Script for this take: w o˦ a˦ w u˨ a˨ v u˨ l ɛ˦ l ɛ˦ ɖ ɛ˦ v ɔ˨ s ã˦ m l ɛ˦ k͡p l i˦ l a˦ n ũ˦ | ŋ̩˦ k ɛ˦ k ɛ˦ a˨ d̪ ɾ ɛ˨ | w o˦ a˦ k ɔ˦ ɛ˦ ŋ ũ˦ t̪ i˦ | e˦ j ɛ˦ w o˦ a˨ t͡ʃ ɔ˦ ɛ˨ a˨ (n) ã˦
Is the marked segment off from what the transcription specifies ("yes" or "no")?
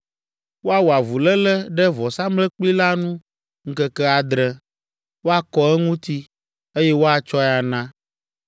no